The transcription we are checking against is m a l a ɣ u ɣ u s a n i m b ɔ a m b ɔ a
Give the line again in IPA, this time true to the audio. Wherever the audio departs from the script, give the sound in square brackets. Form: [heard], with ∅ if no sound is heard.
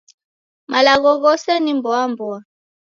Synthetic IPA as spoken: m a l a ɣ [ɔ] ɣ [ɔ] s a n i m b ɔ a m b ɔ a